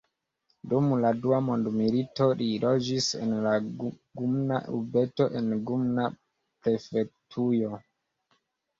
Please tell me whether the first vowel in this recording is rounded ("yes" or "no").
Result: yes